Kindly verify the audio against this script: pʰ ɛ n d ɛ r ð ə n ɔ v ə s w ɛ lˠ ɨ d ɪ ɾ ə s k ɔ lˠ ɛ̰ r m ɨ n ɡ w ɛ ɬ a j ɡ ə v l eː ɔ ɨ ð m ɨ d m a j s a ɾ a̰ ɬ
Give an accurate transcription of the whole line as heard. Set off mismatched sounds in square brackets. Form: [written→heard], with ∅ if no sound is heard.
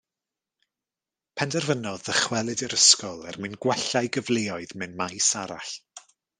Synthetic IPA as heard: pʰ ɛ n d ɛ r [ð→v] ə n ɔ [v→ð] ə [s→χ] w ɛ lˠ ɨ d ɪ ɾ ə s k ɔ lˠ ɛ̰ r m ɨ n ɡ w ɛ ɬ a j ɡ ə v l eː ɔ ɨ ð m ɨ [d→n] m a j s a ɾ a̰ ɬ